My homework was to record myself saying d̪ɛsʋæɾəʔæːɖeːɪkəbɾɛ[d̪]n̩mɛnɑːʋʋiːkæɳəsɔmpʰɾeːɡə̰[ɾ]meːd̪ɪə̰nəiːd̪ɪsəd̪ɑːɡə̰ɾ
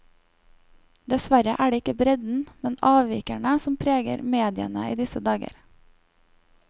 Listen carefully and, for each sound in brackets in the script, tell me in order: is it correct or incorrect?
correct, correct

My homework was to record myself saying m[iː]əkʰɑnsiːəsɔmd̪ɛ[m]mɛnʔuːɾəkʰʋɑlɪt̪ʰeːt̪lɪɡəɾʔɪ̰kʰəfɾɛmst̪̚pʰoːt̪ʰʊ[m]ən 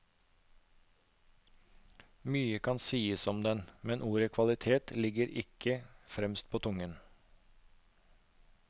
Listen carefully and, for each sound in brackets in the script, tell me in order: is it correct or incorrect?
incorrect: yː, incorrect: n, incorrect: ŋ

